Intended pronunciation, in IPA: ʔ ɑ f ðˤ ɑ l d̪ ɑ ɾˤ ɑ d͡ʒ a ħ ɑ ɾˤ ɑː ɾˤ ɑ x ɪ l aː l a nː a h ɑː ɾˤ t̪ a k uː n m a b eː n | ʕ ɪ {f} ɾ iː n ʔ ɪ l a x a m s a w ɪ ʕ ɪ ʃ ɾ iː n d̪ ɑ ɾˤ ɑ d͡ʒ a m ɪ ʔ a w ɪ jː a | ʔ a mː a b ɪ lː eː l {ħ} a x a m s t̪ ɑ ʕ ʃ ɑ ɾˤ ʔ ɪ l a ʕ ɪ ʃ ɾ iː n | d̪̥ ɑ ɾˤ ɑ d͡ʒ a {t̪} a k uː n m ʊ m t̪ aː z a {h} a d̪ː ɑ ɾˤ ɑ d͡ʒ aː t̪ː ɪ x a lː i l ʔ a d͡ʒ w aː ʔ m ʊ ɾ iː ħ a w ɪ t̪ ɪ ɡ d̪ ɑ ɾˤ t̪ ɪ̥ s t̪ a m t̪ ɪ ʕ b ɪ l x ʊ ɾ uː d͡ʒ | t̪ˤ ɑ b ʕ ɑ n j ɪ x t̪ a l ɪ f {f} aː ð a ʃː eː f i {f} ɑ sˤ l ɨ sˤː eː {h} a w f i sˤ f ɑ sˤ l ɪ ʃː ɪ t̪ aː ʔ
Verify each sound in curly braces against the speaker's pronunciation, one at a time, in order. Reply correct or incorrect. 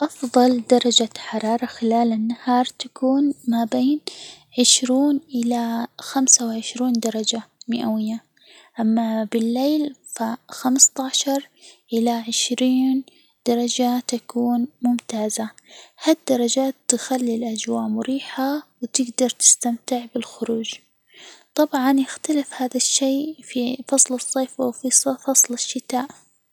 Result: incorrect: ʃ, incorrect: f, correct, correct, incorrect: h, correct, incorrect: f

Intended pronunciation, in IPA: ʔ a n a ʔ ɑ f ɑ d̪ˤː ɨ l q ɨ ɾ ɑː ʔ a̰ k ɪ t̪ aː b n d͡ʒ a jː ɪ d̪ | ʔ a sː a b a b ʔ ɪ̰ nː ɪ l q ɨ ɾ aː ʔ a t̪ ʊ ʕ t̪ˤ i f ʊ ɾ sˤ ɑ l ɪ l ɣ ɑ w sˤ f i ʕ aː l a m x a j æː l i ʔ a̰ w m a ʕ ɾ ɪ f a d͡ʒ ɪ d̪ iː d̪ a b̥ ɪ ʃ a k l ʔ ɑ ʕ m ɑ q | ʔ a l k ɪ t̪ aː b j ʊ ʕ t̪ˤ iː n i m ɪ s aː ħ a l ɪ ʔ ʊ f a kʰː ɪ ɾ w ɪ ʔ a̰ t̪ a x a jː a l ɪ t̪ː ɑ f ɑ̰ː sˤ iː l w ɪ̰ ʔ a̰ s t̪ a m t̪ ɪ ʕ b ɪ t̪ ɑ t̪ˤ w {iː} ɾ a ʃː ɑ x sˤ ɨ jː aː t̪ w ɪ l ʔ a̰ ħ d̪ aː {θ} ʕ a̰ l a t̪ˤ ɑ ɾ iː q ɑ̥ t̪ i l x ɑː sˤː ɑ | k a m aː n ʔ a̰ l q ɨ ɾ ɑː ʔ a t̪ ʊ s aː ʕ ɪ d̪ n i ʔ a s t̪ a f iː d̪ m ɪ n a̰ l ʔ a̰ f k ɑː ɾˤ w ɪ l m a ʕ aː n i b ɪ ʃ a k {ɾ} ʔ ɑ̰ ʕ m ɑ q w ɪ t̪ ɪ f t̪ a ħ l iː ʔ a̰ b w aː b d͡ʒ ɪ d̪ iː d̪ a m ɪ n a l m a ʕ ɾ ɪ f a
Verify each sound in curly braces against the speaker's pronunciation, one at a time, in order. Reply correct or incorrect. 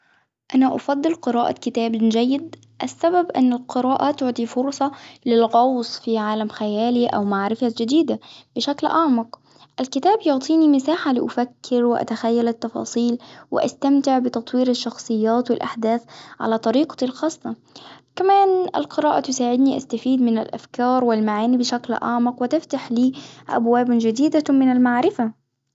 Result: correct, correct, incorrect: l

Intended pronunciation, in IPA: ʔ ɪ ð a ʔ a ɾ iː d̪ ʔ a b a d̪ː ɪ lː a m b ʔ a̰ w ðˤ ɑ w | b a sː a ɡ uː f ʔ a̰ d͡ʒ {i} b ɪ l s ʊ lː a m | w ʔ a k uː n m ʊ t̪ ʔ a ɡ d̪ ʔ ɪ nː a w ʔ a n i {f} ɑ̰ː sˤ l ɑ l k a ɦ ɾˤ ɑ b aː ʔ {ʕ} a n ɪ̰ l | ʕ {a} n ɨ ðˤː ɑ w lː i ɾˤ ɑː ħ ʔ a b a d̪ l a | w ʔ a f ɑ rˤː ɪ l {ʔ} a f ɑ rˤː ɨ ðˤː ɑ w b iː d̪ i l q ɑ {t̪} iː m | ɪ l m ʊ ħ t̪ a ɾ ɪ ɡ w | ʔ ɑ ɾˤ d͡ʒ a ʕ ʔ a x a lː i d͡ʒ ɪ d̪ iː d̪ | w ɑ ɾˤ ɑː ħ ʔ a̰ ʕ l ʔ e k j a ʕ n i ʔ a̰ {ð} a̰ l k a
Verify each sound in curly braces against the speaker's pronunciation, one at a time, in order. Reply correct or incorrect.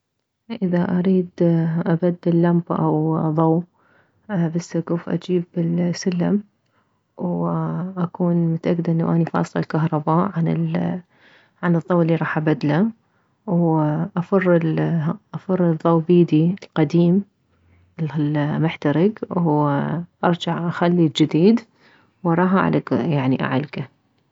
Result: incorrect: iː, correct, correct, correct, correct, incorrect: d̪, incorrect: ʕ

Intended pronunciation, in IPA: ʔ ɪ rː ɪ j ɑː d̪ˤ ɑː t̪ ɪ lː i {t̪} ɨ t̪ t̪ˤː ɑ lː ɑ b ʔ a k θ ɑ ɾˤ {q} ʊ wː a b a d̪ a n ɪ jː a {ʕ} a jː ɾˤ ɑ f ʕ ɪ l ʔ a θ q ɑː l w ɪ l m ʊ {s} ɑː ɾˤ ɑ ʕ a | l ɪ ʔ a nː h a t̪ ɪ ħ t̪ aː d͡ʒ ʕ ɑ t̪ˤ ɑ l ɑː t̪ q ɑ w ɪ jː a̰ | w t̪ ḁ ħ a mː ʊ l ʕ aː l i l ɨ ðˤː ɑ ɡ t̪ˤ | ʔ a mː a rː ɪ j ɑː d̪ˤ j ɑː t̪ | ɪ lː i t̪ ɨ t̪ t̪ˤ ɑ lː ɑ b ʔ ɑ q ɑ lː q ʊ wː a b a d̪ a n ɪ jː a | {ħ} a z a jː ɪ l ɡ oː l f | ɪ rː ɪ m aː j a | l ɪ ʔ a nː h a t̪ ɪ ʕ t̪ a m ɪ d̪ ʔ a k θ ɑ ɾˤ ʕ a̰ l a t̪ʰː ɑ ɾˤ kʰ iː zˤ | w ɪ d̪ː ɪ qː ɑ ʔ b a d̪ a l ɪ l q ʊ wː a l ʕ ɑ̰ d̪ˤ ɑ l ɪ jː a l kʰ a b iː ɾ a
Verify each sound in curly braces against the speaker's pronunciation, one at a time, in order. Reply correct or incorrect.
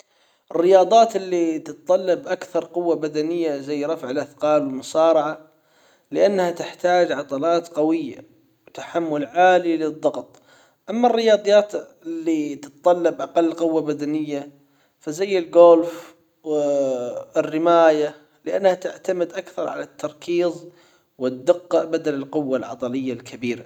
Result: correct, correct, incorrect: z, correct, incorrect: f

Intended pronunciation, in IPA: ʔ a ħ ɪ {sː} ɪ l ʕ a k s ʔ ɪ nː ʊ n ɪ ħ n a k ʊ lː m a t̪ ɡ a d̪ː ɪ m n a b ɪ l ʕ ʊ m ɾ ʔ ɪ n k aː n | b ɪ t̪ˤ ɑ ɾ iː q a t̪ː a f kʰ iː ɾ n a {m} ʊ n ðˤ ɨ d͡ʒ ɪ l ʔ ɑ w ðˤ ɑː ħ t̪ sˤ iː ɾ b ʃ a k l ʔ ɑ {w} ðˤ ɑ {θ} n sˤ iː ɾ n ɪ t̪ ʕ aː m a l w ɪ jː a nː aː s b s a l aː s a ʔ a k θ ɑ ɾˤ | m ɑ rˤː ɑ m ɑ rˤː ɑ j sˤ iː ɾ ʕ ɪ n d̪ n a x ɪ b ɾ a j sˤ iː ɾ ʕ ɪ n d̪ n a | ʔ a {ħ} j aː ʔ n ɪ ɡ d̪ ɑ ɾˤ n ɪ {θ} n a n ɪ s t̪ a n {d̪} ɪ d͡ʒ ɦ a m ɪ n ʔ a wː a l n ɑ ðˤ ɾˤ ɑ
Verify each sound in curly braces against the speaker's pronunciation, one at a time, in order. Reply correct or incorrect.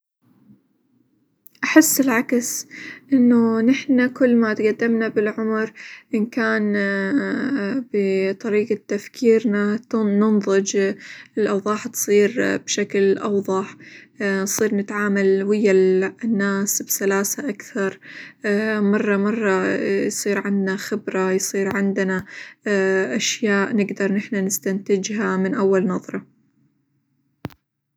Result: correct, incorrect: n, correct, incorrect: ħ, incorrect: ʃ, incorrect: ħ, incorrect: t̪

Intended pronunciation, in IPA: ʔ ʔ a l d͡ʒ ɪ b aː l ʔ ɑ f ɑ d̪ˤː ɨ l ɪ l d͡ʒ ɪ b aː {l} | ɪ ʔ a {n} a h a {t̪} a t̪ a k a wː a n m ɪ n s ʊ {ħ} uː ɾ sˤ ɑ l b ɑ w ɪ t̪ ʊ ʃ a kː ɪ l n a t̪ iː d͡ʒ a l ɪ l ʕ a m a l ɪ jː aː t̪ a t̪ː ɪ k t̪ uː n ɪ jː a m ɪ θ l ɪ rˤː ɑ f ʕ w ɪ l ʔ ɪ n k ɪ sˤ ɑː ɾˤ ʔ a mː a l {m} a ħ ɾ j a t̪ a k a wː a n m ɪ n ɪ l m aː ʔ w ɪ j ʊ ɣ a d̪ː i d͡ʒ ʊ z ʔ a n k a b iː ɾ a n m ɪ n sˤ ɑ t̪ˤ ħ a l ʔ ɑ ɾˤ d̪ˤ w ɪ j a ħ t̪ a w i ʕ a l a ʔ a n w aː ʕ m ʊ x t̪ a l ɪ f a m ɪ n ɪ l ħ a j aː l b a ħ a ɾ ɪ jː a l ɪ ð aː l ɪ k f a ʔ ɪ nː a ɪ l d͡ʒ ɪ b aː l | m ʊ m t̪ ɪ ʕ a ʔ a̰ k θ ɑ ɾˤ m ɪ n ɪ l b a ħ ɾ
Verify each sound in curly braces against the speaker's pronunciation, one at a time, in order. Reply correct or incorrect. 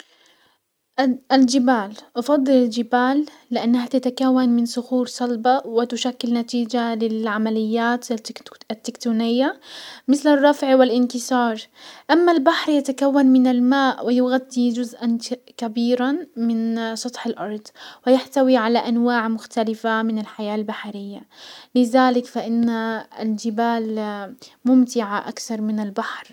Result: incorrect: lː, incorrect: nː, correct, incorrect: x, incorrect: b

